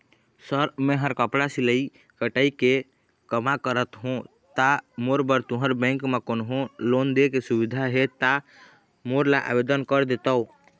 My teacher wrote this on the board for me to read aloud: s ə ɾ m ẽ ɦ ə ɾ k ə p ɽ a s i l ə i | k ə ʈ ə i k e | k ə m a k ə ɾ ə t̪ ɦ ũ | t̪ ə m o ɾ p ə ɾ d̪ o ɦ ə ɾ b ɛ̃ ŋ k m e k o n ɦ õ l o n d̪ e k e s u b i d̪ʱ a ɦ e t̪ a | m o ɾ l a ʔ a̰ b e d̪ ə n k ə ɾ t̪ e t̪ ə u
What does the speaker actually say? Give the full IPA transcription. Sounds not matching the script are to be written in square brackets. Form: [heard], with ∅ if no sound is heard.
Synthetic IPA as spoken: s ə ɾ m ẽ ɦ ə ɾ k ə p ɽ a s i l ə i | k ə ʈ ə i k e | k ə m a k ə ɾ ə t̪ ɦ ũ | t̪ [a] m o ɾ [b] ə ɾ [t̪] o ɦ ə ɾ b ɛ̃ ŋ k m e k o n ɦ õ l o n d̪ e k e s u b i d̪ʱ a ɦ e t̪ a | m o ɾ l a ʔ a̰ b e d̪ ə n k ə ɾ [d̪] e t̪ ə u

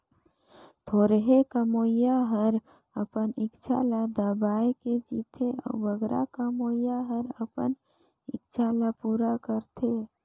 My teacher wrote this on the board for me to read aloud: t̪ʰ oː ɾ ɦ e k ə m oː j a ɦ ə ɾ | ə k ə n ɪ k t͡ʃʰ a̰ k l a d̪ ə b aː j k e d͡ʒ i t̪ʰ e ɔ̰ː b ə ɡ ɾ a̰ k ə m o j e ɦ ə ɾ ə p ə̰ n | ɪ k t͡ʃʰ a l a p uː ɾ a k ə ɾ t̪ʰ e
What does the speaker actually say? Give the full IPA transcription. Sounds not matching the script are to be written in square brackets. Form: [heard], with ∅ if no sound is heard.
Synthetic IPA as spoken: t̪ʰ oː ɾ ɦ e k ə m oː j a ɦ ə ɾ | ə [p] ə n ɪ k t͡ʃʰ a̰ [∅] l a d̪ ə b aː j k e d͡ʒ i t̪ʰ e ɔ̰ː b ə ɡ ɾ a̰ k ə m o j [a] ɦ ə ɾ ə p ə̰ n | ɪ k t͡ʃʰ a l a p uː ɾ a k ə ɾ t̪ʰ e

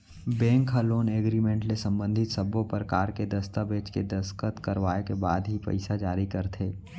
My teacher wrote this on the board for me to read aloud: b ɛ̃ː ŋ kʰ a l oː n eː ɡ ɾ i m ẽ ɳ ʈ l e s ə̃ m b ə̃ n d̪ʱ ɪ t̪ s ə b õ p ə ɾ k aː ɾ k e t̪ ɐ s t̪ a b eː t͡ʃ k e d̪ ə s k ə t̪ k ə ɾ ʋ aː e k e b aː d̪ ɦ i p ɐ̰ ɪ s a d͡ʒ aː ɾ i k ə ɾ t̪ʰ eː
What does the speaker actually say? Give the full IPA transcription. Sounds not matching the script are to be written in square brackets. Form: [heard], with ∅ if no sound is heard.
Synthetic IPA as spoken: b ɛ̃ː ŋ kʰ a l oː n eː ɡ ɾ i m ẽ ɳ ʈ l e s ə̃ m b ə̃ n d̪ʱ ɪ t̪ s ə b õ p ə ɾ k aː ɾ k e [d̪] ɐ s t̪ a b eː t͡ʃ k e d̪ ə s k ə t̪ k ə ɾ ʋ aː e k e b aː d̪ ɦ i p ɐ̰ ɪ s a d͡ʒ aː ɾ i k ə ɾ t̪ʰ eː

